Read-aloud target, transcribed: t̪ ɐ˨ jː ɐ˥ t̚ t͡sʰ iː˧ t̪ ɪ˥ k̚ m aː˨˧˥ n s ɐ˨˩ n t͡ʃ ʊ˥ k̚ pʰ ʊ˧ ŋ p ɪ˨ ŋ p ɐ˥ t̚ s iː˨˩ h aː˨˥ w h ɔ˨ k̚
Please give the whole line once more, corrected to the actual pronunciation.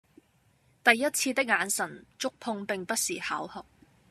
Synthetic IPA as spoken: t̪ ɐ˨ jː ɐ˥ t̚ t͡sʰ iː˧ t̪ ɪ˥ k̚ ŋ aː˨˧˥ n s ɐ˨˩ n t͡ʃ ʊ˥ k̚ pʰ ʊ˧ ŋ p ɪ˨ ŋ p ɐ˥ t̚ s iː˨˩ h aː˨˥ w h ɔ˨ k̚